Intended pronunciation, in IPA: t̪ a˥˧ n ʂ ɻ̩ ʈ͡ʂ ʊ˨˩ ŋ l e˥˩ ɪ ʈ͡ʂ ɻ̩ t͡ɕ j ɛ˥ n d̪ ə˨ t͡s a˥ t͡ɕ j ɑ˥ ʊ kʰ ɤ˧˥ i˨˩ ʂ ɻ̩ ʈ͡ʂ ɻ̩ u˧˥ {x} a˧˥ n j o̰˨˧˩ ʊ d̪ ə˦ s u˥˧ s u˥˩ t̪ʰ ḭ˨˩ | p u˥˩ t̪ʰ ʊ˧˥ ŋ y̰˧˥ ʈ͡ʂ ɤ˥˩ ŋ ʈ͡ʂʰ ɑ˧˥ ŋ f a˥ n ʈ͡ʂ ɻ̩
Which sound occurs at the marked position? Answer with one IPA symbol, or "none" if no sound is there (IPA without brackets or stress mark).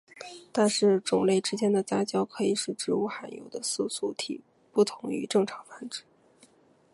x